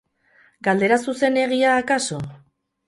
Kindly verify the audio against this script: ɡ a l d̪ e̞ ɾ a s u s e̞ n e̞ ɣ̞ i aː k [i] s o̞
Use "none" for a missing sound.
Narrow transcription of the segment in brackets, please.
a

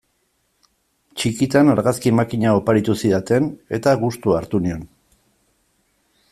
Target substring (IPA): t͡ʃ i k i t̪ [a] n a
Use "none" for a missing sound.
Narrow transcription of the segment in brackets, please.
a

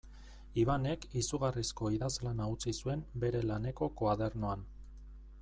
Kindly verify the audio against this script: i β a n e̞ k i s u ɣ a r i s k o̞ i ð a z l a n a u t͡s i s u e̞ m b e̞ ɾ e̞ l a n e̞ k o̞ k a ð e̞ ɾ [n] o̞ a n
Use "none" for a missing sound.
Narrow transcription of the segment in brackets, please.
n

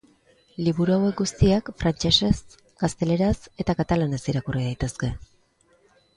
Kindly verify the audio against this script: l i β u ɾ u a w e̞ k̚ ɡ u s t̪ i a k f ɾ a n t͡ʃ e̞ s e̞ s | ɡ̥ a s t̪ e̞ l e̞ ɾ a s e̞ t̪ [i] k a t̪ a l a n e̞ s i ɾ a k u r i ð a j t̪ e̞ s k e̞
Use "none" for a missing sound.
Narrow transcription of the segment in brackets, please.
a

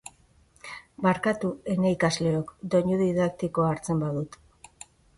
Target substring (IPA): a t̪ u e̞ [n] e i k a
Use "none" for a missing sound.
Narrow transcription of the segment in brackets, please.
n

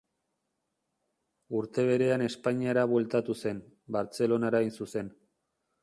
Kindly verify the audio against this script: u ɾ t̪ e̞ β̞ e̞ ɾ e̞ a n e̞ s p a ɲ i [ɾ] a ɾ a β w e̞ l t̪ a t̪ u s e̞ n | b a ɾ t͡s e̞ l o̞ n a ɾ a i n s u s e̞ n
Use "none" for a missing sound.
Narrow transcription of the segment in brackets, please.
none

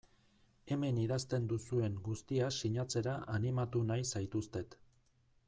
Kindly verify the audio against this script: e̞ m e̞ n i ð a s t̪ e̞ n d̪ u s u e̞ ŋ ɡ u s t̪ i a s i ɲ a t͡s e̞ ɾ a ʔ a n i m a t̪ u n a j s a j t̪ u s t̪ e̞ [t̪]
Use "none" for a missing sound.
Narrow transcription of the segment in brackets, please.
t̪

